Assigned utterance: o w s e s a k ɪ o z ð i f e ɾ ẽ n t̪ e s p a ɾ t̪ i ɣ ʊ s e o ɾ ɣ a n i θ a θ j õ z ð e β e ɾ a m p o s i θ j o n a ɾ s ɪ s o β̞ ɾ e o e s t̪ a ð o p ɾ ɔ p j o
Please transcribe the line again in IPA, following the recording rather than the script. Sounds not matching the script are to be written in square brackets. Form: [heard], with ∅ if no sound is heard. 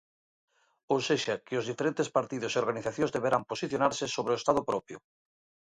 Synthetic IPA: o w s e [ʃ] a k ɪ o z ð i f e ɾ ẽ n t̪ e s p a ɾ t̪ i [ð] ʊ s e o ɾ ɣ a n i θ a θ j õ z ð e β e ɾ a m p o s i θ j o n a ɾ s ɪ s o β̞ ɾ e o e s t̪ a ð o p ɾ ɔ p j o